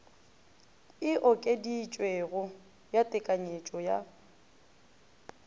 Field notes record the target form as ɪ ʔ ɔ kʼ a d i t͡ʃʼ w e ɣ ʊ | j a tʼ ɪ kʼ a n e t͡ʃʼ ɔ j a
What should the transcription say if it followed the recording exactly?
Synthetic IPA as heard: ɪ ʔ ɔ kʼ e d i t͡ʃʼ w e ɣ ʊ | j a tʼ ɪ kʼ a ɲ e t͡ʃʼ ɔ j a

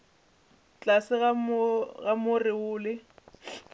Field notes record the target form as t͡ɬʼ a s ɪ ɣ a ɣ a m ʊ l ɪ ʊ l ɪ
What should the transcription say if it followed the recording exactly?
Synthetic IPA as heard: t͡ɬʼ a s ɪ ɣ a ɣ a m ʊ r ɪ ʊː l ɪ

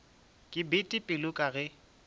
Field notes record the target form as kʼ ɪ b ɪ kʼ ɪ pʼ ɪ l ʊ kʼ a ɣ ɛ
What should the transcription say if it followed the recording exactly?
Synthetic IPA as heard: kʼ ɪ b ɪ tʼ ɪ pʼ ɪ l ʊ kʼ a ɣ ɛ

